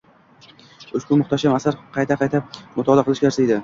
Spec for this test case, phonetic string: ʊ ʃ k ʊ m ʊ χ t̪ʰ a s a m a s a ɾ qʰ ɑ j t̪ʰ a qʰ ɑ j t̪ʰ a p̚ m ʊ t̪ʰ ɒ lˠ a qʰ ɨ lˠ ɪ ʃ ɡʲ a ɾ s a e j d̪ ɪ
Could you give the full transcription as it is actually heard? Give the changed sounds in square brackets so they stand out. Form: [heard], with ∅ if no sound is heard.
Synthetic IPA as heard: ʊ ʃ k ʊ m ʊ χ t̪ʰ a [ʃ] a m a s a ɾ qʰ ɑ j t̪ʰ a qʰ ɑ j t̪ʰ a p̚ m ʊ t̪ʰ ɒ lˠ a [q] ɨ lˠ ɪ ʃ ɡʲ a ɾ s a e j d̪ ɪ